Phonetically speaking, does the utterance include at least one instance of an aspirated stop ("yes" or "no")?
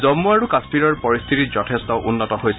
yes